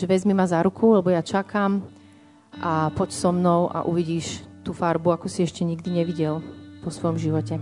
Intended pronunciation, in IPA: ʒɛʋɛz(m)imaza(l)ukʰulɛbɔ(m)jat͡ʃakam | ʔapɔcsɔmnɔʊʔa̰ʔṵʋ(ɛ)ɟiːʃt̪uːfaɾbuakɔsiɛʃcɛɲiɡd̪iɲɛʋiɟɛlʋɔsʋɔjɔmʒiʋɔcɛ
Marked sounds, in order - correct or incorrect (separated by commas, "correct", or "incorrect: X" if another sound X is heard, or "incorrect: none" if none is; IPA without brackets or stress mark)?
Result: correct, incorrect: ɾ, incorrect: none, incorrect: i